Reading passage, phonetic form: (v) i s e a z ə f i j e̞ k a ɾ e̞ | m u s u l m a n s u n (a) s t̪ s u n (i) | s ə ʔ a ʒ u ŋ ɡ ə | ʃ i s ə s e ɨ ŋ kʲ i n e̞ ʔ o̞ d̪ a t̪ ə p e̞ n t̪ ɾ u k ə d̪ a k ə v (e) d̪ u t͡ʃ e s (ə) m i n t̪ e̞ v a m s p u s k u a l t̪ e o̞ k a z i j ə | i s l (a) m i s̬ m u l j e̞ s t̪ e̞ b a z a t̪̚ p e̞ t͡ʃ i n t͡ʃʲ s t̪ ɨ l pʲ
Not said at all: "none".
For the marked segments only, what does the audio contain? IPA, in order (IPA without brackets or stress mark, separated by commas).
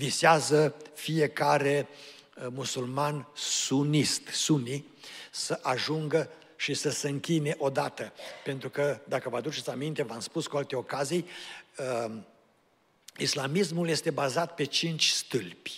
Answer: v, i, i, a, a, a